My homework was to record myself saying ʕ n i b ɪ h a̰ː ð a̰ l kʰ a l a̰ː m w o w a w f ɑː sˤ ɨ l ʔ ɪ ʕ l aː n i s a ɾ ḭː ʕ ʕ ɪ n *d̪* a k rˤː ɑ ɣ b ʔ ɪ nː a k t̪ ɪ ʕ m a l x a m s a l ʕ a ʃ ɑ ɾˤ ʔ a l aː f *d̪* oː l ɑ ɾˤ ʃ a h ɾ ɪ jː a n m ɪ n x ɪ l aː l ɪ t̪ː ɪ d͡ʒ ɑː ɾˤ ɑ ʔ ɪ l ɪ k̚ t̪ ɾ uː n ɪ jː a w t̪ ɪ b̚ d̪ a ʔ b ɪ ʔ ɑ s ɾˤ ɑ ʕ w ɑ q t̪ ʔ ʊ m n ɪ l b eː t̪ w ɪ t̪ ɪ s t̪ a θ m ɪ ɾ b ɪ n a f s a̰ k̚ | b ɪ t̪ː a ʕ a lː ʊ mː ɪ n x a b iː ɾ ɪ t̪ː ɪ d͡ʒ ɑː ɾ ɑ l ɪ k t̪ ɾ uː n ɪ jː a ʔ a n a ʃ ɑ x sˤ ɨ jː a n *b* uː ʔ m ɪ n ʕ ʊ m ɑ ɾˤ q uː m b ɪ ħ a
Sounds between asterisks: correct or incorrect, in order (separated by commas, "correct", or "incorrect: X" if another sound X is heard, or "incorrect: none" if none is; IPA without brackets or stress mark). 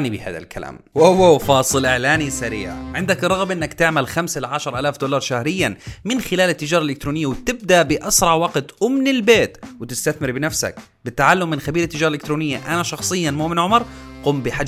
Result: correct, correct, incorrect: m